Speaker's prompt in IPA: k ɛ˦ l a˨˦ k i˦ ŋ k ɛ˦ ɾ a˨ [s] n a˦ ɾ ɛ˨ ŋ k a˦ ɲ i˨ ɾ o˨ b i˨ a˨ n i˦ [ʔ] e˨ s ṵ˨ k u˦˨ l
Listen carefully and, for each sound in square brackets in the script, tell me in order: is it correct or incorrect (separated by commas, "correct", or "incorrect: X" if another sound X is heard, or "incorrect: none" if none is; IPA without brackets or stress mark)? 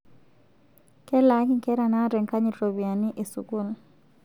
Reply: incorrect: none, correct